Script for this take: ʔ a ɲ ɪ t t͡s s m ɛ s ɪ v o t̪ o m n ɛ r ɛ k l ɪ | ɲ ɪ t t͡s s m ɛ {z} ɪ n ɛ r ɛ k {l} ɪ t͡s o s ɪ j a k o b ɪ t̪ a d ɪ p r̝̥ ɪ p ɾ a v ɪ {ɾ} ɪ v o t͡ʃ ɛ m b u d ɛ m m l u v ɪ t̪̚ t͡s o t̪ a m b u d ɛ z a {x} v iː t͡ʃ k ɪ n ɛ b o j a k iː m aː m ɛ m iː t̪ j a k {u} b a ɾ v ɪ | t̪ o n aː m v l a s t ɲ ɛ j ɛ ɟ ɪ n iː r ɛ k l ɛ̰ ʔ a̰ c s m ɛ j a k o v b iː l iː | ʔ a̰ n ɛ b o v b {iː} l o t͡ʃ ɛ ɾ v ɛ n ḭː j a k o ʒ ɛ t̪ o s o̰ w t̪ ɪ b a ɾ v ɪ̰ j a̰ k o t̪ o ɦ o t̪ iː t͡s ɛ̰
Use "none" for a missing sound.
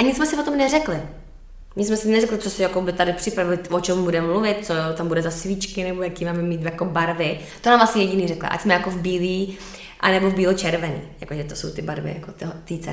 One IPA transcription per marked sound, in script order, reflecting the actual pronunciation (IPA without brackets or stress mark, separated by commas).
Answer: s, l, l, s, o, iː